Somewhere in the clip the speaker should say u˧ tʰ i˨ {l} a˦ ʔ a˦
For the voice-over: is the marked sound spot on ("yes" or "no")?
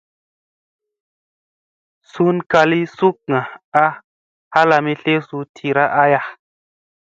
no